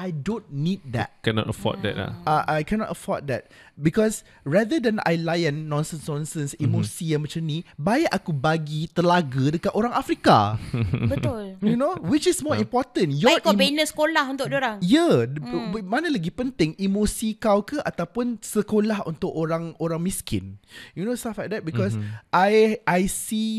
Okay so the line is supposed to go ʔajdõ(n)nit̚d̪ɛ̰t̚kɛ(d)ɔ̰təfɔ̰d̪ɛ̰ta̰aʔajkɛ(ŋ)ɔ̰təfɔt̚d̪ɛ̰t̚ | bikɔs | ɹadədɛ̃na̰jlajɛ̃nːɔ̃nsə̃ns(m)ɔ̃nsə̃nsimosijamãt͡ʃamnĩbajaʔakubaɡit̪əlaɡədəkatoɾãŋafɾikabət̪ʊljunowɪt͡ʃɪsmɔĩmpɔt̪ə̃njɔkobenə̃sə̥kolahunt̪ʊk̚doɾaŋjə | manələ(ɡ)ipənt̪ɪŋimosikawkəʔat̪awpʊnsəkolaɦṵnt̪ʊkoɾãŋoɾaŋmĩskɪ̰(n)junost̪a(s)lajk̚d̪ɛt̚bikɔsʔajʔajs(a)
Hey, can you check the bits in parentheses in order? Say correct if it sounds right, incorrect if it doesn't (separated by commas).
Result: correct, incorrect, incorrect, incorrect, correct, correct, incorrect, incorrect